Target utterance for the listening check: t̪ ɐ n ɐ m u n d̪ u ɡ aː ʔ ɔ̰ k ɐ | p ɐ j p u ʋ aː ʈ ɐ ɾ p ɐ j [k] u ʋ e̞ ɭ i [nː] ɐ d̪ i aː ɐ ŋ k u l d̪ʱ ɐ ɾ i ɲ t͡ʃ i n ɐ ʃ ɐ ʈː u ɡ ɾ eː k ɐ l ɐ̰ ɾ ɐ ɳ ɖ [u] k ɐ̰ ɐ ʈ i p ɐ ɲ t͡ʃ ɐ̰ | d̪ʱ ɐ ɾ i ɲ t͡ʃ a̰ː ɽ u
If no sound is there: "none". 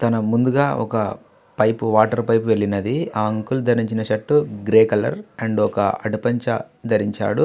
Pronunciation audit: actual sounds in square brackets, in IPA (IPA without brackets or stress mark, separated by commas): p, n, ɔ